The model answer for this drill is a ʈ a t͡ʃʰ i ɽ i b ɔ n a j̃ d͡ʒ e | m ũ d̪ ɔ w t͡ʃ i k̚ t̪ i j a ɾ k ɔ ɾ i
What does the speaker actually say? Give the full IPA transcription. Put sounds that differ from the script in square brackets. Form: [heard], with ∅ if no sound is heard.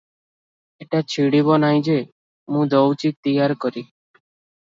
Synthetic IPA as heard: [e] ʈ a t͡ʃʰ i ɽ i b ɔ n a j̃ d͡ʒ e | m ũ d̪ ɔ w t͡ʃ i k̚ t̪ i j a ɾ k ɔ ɾ i